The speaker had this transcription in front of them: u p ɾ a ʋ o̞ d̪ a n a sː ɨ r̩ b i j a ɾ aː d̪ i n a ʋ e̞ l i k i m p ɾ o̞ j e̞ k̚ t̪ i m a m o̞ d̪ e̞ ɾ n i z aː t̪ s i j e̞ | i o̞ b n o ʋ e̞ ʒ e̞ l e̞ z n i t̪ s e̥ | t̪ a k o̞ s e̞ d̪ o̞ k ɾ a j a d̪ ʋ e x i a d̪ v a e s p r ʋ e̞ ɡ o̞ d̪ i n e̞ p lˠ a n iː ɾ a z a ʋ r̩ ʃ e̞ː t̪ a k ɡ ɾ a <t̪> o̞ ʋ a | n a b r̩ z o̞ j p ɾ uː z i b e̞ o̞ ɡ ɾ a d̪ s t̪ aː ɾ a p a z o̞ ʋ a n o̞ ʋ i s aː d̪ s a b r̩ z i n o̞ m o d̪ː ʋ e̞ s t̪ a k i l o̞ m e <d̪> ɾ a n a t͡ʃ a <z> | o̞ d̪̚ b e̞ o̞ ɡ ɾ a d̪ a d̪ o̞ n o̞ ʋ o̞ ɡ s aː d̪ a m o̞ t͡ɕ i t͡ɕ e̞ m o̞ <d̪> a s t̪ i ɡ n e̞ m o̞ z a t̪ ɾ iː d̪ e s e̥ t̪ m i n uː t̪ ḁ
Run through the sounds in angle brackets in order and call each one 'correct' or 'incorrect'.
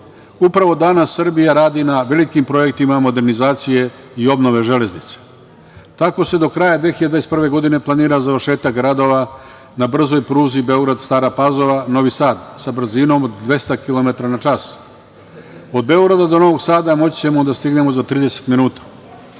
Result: incorrect: d̪, incorrect: t̪, incorrect: s, correct

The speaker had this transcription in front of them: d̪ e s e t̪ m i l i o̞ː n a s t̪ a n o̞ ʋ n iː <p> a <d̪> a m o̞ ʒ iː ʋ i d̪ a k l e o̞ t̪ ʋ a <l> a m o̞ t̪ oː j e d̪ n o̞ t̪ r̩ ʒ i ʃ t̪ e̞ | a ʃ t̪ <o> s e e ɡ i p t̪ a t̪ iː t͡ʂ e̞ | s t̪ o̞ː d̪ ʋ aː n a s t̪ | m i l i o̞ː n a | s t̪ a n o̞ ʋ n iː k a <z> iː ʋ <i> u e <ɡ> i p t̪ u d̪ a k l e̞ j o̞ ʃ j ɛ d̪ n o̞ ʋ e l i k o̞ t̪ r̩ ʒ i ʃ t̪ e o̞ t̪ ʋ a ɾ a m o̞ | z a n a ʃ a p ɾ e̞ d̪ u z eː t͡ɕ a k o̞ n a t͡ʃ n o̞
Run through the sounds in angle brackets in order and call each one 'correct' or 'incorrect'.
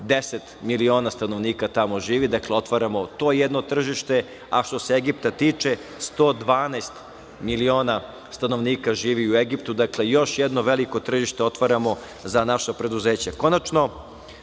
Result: incorrect: k, incorrect: t̪, incorrect: ɾ, correct, incorrect: ʒ, correct, correct

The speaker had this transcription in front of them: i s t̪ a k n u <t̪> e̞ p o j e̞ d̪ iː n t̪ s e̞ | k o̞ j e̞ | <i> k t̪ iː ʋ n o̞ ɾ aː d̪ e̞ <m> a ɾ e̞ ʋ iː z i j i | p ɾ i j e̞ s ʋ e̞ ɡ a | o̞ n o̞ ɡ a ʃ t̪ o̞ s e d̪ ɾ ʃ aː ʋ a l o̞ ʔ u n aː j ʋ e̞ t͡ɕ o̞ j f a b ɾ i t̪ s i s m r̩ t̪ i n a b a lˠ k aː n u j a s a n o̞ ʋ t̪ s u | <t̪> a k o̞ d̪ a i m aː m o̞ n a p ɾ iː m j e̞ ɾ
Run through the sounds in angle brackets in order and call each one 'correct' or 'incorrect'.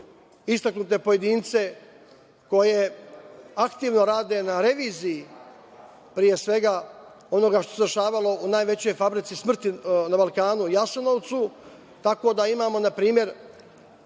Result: correct, incorrect: a, incorrect: n, correct

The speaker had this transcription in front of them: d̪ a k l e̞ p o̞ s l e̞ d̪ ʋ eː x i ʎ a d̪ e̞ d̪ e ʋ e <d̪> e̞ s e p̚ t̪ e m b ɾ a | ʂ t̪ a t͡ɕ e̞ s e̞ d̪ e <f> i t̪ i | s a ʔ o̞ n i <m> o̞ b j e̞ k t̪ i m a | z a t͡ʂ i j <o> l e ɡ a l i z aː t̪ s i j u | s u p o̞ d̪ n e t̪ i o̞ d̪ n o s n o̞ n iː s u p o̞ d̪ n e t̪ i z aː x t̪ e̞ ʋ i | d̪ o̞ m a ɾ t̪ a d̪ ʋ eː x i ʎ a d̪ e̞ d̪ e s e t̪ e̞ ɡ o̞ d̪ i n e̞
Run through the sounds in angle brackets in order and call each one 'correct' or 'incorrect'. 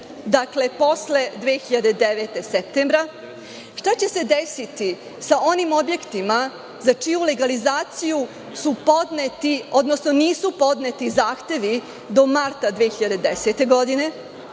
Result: incorrect: t̪, incorrect: s, correct, incorrect: u

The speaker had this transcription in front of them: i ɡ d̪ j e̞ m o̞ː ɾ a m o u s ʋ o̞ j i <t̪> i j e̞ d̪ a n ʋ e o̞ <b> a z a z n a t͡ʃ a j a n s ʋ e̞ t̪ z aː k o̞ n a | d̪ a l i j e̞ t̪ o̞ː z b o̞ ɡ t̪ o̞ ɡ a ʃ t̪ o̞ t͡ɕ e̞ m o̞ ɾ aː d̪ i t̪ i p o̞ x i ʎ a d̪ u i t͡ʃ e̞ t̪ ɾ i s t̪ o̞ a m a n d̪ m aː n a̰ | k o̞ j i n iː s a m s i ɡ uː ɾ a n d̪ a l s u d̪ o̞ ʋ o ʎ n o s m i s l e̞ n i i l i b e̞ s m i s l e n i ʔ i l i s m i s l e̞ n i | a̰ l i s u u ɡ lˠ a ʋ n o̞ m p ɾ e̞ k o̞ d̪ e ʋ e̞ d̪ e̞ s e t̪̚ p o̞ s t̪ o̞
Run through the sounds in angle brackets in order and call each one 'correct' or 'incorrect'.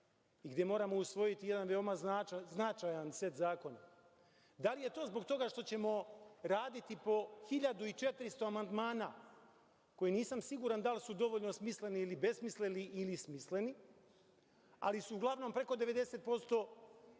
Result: correct, incorrect: m

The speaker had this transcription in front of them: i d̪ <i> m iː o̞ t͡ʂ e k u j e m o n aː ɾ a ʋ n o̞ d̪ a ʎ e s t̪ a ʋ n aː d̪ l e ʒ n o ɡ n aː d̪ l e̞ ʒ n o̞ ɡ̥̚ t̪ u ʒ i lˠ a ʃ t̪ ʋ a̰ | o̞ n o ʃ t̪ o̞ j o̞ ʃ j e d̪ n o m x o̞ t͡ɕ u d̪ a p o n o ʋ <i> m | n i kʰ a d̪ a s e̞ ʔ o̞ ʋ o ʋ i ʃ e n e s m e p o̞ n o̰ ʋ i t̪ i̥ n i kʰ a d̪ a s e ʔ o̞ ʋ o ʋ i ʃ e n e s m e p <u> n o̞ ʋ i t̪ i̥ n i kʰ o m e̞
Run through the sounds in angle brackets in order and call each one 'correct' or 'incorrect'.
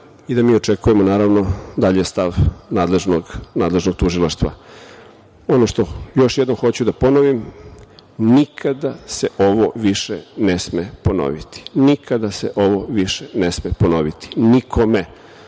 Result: incorrect: a, correct, incorrect: o

